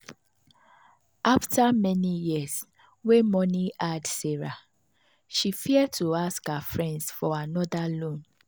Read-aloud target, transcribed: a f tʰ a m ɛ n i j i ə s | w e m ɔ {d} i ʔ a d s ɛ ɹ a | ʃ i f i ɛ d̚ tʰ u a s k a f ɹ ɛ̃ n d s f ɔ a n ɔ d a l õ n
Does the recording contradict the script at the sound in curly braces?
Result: yes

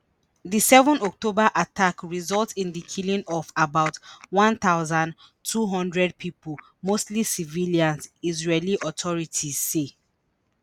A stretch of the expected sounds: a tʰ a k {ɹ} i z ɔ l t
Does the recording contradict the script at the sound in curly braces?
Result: no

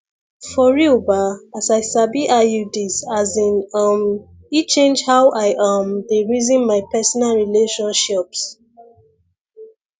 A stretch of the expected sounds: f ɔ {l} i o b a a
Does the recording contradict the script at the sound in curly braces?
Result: yes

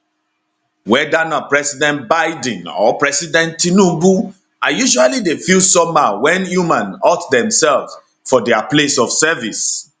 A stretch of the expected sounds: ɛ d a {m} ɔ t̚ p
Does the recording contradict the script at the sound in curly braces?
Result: yes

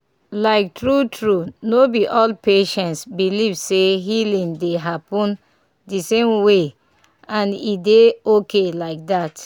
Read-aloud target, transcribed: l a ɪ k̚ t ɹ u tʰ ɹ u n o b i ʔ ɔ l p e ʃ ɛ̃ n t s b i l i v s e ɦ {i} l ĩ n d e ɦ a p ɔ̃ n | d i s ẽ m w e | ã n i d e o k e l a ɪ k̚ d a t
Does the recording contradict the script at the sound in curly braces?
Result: no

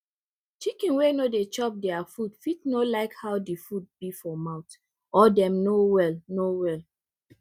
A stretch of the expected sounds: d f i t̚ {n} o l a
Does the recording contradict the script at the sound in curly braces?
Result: no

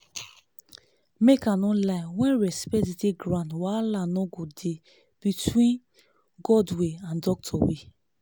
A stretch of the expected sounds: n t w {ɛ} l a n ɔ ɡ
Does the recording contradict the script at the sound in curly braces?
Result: yes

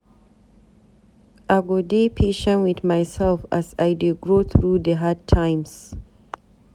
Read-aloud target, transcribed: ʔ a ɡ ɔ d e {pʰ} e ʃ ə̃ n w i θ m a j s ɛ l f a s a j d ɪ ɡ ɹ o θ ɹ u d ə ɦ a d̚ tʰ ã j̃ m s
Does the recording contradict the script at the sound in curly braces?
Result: no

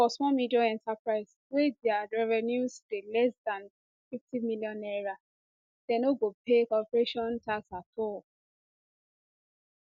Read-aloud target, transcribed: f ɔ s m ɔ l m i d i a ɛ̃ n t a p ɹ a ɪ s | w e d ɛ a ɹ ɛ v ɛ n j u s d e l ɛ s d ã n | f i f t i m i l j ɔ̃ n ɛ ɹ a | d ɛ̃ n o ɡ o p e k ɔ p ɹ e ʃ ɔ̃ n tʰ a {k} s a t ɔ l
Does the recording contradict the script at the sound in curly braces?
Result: no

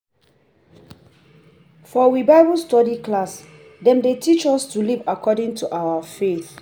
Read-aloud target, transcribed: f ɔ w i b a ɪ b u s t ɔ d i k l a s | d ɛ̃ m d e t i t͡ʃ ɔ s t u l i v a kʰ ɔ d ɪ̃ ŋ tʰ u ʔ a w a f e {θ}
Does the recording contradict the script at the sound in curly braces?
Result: no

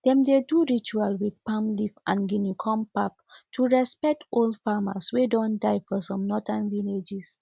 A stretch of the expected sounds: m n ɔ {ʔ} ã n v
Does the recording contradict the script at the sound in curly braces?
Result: yes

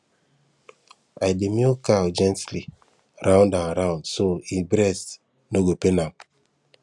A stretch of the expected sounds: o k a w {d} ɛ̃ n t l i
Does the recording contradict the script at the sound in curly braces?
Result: yes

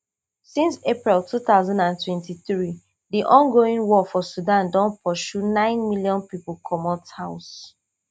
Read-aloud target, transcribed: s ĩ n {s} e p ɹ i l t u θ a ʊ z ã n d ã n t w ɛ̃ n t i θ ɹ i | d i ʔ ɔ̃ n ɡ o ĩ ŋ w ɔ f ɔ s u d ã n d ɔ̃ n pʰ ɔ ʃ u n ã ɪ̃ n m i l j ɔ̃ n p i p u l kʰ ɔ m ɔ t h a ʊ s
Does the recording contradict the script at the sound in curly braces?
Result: no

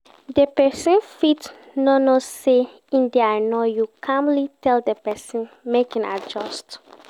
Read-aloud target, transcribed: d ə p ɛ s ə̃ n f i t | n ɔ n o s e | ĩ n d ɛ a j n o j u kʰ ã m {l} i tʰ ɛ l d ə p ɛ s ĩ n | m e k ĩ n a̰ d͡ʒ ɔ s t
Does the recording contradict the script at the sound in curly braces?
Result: no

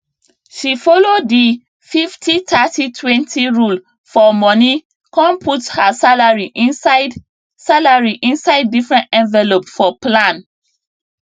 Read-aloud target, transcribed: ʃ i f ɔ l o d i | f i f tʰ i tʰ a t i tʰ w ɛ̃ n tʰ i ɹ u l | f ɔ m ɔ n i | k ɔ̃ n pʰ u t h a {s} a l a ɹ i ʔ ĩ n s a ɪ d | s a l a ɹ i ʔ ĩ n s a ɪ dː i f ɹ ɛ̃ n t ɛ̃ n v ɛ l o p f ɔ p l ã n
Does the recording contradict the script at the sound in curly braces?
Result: no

